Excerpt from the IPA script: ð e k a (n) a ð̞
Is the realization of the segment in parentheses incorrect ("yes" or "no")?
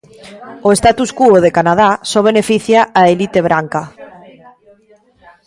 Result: no